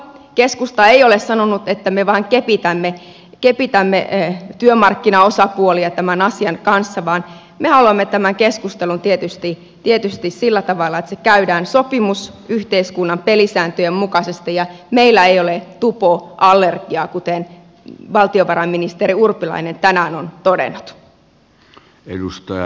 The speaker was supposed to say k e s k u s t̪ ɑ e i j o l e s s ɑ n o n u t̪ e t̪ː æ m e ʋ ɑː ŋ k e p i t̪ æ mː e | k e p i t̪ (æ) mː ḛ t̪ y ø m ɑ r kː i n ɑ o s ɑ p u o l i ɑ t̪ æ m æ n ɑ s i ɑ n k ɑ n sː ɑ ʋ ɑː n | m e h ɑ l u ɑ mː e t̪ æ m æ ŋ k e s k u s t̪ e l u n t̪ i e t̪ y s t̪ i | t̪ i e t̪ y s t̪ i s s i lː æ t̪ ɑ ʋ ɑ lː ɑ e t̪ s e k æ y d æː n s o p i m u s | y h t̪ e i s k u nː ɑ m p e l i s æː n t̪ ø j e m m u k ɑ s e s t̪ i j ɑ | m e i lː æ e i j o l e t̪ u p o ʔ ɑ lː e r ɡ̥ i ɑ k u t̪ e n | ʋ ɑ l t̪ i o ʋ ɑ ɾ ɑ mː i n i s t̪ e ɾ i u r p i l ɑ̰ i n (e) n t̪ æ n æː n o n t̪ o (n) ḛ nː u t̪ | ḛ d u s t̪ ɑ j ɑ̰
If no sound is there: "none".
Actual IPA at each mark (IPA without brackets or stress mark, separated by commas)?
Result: æ, e, d